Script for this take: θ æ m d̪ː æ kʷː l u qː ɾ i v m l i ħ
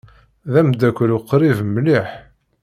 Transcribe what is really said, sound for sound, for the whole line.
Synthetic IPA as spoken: ð æ m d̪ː æ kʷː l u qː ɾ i v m l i ħ